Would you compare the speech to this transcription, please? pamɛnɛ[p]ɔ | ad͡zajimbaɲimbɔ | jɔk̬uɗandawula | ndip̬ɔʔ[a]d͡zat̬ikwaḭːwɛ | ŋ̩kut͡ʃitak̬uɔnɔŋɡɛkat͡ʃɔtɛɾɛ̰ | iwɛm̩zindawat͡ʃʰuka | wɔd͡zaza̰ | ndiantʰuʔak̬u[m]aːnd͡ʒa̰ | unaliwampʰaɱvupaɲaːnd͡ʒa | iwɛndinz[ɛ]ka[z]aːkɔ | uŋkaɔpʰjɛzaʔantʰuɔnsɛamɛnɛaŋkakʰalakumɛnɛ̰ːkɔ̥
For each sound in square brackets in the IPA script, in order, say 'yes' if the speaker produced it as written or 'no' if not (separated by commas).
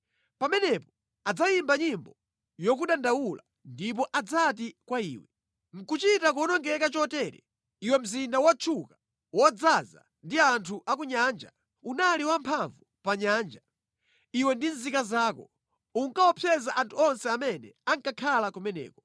yes, yes, no, no, yes